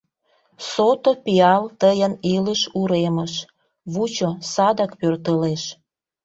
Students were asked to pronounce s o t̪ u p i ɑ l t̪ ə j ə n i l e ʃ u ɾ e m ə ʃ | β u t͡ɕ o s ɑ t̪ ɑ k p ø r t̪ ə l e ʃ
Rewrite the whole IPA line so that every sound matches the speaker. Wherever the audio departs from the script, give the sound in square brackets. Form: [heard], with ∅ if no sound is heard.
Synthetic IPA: s o t̪ [o] p i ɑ l t̪ ə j ə n i l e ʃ u ɾ e m ə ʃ | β u t͡ɕ o s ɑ [d̪] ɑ k p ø r t̪ ə l e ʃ